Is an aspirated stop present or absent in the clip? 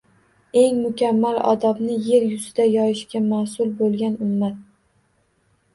absent